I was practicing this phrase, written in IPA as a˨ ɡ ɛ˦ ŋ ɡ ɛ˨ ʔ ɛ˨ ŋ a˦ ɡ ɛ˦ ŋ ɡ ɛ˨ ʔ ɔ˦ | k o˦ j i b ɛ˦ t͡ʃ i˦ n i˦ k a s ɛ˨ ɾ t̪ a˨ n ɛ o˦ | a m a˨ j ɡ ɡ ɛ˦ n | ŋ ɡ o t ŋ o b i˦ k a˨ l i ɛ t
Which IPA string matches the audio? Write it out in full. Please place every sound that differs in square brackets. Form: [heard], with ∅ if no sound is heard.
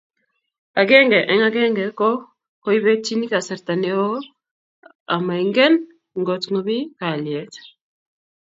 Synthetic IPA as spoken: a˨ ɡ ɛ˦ ŋ ɡ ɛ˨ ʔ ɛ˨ ŋ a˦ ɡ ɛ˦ ŋ ɡ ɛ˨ [k] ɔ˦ | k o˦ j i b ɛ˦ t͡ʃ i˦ n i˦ k a s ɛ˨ ɾ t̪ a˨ n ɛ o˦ | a m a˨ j [ŋ] ɡ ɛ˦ n | ŋ ɡ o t ŋ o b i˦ k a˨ l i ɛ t